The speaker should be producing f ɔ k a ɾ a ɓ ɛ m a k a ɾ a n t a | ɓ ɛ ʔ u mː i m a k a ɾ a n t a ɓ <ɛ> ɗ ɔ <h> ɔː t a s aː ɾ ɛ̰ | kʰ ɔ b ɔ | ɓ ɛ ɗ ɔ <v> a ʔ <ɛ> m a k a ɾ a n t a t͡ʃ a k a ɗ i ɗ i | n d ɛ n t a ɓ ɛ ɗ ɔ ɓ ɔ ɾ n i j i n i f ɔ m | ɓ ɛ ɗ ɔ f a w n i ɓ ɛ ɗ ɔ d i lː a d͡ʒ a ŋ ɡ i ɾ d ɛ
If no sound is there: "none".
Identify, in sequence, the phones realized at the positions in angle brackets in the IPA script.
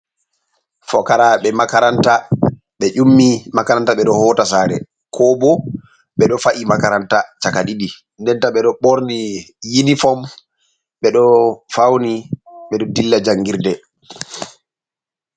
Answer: ɛ, h, f, i

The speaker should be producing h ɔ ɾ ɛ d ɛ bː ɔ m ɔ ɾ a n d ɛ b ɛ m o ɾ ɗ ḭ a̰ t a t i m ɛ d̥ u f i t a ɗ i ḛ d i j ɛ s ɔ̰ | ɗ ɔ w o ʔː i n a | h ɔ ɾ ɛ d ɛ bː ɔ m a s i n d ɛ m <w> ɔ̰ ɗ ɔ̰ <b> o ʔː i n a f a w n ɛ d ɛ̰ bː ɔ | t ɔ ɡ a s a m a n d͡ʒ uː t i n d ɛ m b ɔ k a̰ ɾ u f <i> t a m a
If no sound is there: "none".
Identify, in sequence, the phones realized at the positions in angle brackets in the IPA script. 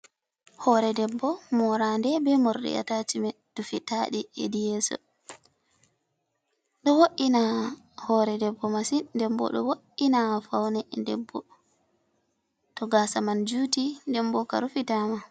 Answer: b, w, i

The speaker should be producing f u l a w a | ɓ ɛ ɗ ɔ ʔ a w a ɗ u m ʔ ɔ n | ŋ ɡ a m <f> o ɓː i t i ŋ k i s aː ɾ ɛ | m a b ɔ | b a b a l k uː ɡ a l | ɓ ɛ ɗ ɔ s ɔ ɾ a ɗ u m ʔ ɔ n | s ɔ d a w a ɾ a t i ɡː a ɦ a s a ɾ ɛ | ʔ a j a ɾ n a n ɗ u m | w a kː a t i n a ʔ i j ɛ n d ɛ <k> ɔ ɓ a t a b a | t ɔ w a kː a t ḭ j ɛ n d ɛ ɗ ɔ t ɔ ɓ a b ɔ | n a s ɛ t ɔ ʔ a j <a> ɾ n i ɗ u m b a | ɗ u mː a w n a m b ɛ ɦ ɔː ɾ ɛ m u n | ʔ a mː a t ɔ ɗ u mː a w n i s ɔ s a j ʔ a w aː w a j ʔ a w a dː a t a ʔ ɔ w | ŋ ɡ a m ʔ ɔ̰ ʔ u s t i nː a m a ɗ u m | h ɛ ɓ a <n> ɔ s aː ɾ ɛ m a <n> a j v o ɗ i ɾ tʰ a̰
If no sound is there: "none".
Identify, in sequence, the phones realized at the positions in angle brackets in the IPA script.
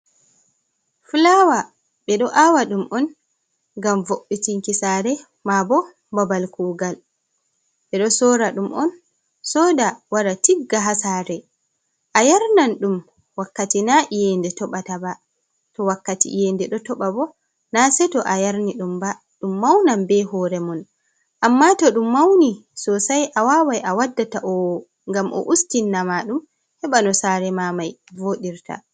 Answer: v, t, a, n, m

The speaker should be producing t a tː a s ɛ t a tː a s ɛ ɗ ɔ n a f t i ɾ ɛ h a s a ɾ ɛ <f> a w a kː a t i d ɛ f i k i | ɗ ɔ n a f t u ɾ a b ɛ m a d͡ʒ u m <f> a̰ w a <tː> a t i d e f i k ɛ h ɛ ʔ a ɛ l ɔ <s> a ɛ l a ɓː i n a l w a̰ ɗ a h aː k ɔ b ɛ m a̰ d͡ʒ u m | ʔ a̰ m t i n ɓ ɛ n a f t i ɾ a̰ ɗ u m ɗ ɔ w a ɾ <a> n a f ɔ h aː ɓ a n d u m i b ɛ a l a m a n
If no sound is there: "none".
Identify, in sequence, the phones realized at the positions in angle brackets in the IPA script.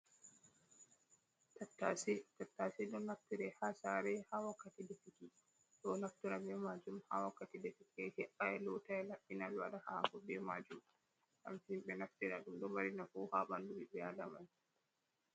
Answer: h, h, kː, t, i

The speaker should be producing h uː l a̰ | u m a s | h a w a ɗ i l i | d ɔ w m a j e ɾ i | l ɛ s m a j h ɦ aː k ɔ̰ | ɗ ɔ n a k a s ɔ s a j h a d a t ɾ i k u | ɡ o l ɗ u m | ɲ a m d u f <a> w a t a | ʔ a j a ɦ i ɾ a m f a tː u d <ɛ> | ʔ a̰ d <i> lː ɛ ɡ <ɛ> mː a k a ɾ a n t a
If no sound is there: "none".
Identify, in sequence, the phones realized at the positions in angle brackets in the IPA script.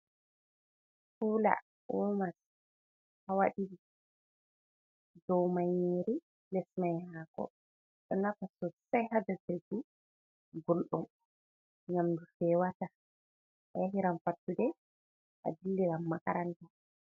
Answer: ɛ, ɛ, i, a

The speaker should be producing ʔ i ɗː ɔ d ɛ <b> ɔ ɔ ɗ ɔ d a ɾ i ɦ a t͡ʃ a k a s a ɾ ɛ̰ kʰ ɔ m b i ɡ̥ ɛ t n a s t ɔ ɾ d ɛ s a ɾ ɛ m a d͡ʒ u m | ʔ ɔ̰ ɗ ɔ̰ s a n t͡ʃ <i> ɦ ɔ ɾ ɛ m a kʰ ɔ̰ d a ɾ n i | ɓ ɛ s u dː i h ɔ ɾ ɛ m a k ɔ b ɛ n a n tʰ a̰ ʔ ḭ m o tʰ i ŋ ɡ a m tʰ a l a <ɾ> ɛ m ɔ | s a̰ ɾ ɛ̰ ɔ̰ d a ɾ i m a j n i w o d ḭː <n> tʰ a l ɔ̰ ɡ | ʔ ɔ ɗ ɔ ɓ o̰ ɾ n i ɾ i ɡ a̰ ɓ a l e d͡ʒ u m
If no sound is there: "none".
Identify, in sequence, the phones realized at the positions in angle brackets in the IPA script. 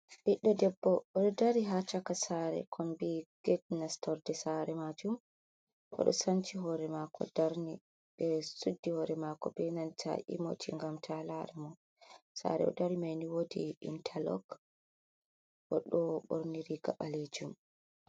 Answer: bː, i, ɾ, n

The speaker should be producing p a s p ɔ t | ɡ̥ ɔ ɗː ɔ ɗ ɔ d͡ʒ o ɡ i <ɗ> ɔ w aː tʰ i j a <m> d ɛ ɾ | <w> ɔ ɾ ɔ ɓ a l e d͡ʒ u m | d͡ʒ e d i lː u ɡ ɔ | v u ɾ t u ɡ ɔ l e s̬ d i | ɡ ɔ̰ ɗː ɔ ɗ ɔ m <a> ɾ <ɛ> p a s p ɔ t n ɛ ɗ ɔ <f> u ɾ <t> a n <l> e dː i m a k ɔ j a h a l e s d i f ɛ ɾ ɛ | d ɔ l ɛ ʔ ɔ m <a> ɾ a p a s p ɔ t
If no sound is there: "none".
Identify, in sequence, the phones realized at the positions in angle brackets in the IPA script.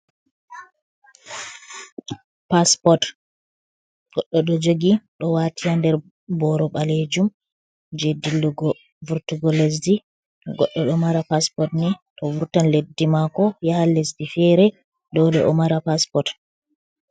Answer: ɗ, n, b, a, a, v, t, l, a

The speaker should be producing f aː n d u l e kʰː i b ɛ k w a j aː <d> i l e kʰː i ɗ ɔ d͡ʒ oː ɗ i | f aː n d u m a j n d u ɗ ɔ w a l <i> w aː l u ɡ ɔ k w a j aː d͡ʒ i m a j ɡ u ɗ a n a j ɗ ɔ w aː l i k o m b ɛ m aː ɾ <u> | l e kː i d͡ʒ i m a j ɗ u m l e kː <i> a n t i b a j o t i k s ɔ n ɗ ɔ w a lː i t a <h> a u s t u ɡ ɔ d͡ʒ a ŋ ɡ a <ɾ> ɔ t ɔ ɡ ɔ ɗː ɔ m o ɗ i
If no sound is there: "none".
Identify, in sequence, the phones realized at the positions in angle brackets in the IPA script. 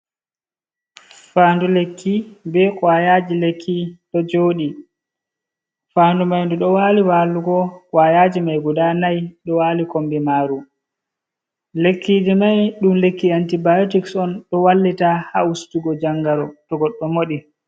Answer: d͡ʒ, i, u, i, h, ɾ

